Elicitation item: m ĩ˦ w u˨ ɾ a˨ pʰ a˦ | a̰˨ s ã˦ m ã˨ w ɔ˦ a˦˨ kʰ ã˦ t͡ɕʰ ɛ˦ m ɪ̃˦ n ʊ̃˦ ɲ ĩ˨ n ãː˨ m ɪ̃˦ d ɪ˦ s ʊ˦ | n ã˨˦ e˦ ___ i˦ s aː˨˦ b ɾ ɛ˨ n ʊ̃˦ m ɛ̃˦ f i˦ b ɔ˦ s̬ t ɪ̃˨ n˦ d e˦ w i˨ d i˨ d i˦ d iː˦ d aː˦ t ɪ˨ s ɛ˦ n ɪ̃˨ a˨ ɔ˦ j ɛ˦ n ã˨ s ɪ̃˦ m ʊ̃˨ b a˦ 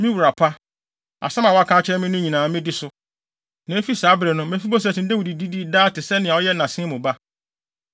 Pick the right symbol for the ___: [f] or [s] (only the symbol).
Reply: f